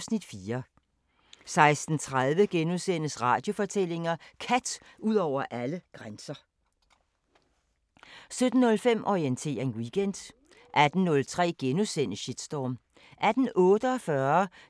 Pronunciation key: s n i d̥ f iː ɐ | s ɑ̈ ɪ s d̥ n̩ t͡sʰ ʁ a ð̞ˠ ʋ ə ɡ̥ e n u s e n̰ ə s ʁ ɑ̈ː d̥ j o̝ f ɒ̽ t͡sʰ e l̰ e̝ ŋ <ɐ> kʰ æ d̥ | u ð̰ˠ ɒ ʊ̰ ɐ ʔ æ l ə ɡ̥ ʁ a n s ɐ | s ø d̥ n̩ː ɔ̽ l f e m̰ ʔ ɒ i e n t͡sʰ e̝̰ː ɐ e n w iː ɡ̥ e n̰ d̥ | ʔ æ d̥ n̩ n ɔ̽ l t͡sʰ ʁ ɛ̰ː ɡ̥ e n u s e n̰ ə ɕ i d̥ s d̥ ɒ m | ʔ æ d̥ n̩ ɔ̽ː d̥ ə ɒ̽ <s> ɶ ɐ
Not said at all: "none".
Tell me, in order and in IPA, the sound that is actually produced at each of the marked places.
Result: ɐ, f

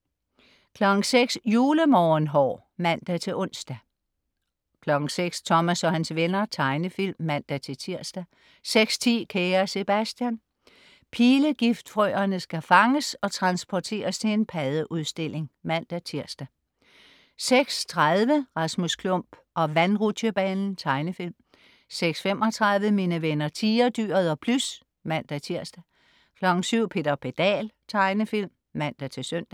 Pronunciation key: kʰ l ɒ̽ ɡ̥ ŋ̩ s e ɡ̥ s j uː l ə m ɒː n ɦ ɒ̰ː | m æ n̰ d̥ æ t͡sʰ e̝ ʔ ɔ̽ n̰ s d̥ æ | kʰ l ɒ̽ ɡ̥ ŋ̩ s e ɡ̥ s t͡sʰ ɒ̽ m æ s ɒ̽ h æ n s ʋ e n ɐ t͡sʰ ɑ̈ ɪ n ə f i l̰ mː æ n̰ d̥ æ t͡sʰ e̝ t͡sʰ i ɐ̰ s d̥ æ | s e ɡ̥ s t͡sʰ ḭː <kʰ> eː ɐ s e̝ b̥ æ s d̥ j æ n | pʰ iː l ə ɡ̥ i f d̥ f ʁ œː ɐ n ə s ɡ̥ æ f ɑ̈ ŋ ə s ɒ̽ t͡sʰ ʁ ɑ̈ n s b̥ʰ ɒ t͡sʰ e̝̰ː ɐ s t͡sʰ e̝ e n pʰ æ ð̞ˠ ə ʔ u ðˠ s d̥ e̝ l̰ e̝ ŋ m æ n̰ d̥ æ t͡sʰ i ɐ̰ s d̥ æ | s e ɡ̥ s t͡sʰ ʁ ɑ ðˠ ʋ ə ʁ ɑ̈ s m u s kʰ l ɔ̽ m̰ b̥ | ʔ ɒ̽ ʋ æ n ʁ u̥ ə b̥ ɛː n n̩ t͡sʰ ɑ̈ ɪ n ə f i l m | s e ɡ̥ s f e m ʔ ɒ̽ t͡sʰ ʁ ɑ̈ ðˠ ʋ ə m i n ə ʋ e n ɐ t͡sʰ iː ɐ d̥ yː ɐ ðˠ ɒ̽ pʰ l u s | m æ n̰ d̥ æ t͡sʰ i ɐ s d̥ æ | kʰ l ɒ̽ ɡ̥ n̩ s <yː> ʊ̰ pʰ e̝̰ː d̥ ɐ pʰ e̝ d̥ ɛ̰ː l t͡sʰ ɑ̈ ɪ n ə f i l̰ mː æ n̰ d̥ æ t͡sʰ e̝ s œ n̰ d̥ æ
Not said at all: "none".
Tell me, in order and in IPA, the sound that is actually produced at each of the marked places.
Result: kʰ, y

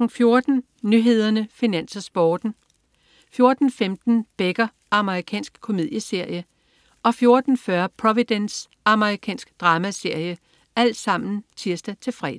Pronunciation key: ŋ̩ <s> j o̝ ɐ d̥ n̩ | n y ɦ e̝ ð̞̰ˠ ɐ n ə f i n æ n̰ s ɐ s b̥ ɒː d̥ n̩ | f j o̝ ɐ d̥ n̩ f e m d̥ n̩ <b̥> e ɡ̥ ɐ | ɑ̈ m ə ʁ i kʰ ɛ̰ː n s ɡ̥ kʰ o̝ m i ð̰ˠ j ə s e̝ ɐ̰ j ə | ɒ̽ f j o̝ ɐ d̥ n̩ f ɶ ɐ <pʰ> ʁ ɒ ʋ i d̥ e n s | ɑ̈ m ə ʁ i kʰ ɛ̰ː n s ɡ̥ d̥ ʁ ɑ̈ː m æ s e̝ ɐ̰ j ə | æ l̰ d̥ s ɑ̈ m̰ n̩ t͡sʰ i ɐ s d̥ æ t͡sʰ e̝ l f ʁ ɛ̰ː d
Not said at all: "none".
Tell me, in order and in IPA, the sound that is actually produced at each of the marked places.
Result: f, b̥, pʰ

